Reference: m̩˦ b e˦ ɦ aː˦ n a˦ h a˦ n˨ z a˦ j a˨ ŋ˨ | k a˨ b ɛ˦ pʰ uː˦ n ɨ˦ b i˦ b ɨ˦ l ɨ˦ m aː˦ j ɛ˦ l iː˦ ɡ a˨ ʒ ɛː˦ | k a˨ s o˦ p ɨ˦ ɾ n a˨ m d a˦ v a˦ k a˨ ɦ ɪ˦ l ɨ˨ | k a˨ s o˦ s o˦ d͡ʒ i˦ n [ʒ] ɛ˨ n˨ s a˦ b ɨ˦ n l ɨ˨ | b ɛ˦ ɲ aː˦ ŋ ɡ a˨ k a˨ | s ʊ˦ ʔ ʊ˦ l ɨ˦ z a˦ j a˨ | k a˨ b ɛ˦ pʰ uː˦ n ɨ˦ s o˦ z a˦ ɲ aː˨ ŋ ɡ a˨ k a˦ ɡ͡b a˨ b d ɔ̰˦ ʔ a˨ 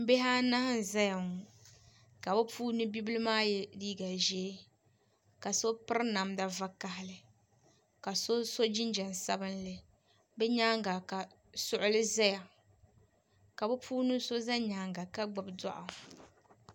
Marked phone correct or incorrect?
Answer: incorrect: d͡ʒ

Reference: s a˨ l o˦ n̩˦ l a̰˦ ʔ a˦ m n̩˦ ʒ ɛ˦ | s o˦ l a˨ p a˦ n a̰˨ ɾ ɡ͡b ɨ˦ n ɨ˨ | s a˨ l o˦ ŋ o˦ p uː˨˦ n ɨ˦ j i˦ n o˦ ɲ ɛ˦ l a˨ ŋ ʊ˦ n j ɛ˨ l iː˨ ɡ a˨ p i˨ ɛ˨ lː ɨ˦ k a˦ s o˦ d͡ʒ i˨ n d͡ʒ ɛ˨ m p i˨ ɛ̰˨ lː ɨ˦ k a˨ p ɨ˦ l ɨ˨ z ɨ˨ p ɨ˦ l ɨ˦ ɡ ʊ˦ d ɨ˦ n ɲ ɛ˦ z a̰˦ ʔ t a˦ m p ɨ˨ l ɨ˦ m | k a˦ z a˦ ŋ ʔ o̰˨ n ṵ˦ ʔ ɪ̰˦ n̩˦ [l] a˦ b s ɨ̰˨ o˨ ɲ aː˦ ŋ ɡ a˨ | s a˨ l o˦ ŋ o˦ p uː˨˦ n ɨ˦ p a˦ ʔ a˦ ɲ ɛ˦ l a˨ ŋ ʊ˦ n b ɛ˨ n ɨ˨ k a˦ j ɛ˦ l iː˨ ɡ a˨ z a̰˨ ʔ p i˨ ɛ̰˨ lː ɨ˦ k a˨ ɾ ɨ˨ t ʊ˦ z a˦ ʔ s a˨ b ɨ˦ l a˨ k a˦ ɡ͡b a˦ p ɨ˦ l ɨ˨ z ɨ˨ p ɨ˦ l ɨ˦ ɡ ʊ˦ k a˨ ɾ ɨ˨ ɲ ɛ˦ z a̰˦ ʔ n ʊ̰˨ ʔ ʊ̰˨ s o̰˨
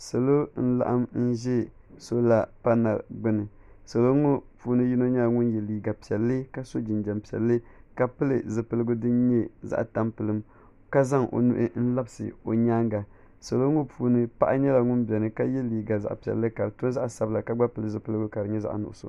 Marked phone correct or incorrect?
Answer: correct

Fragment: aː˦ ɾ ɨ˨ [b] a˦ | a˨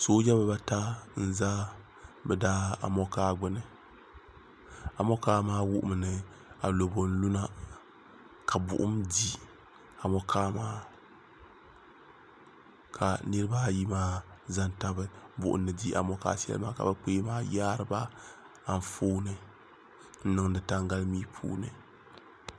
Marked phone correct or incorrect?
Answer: correct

